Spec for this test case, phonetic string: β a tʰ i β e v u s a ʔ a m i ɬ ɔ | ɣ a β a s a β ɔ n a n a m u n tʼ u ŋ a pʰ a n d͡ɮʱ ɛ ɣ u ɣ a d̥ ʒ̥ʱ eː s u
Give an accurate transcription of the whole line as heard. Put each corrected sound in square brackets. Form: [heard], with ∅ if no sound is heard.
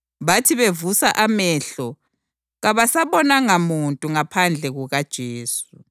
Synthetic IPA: β a tʰ i β e v u s a ʔ a m [ɛ] ɬ ɔ | ɣ a β a s a β ɔ n a [ŋ] a m u n tʼ u ŋ a pʰ a n d͡ɮʱ ɛ ɣ u ɣ a d̥ ʒ̥ʱ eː s u